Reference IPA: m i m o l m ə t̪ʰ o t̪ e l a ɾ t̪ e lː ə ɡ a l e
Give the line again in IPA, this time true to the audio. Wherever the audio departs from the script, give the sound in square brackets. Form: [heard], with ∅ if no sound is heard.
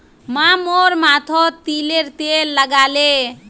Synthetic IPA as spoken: m [a] m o [ɾ] m [a] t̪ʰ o t̪ [i] l [e] ɾ t̪ e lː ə ɡ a l e